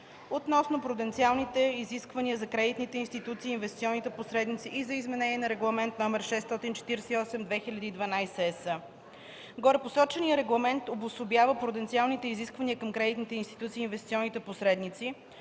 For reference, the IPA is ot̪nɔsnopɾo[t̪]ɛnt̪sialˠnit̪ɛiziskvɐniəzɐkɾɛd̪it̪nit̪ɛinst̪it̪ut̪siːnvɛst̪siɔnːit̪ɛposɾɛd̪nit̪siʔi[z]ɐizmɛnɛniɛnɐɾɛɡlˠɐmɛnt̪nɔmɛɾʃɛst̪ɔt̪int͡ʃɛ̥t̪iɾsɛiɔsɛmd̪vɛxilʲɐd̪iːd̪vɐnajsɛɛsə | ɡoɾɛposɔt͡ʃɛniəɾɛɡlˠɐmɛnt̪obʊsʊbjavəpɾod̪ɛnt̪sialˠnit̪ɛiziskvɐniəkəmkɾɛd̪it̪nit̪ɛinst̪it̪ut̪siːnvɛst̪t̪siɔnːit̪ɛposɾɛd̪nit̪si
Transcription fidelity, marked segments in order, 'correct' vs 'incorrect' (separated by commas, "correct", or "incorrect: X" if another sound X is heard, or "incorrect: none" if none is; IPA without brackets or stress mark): incorrect: d̪, correct